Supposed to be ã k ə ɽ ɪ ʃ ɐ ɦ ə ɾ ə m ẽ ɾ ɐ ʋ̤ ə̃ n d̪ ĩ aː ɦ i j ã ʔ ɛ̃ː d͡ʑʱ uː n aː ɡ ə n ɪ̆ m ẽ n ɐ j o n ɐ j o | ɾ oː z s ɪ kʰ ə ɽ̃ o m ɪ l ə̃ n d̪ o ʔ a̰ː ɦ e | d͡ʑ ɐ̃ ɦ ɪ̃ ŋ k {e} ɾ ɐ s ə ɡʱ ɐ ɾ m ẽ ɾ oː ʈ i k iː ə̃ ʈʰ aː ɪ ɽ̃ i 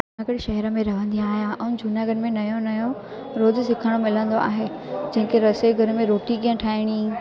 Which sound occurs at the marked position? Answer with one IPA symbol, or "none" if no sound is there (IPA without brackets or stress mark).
e